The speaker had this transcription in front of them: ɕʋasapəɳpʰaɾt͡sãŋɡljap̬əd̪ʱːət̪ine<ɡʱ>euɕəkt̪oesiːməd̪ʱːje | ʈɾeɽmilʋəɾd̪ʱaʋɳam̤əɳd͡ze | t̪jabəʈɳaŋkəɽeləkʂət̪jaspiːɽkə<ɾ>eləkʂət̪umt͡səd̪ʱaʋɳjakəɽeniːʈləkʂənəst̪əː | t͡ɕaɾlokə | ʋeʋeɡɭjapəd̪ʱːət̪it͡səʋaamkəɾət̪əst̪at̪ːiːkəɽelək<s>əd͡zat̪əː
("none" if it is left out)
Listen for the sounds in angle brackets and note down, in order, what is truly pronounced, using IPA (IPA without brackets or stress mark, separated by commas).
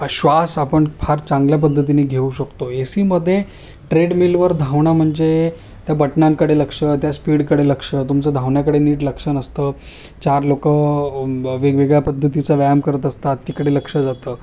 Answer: ɡʱ, ɽ, ʂ